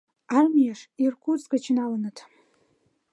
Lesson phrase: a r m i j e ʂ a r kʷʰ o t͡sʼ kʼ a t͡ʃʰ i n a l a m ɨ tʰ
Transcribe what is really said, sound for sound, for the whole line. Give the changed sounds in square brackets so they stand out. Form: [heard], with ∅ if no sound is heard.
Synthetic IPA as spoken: a r m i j [a] ʂ [i] r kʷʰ [u] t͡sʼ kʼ a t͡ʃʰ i n a l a [n] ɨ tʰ